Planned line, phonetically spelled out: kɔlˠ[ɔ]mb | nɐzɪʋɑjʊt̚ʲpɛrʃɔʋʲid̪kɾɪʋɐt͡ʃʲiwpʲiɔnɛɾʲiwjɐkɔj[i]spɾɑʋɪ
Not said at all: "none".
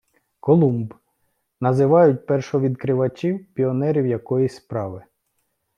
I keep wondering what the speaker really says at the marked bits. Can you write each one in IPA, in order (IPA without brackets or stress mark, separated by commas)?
u, i